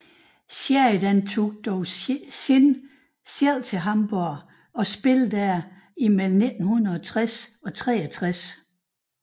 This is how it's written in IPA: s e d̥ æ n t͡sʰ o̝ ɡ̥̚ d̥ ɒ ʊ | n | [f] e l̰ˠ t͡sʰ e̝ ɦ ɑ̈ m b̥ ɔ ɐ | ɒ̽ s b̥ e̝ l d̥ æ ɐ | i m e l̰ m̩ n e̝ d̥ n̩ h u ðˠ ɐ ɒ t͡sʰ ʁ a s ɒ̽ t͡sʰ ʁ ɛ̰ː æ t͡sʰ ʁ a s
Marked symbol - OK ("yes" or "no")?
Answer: no